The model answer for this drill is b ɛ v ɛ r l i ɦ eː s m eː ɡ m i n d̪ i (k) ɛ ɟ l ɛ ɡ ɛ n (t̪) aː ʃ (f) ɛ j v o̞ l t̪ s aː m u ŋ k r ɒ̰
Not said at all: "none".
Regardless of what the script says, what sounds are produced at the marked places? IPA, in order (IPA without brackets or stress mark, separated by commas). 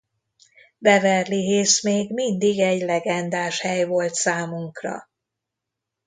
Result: ɡ, d̪, h